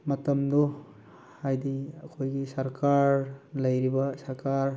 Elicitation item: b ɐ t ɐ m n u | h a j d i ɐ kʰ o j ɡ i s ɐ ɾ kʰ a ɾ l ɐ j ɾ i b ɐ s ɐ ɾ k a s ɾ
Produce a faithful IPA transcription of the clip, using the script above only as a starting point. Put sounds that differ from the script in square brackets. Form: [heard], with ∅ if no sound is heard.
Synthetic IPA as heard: [m] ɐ t ɐ m [d] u | h a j d i ɐ kʰ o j ɡ i s ɐ ɾ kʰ a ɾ l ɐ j ɾ i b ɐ s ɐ ɾ k a [∅] ɾ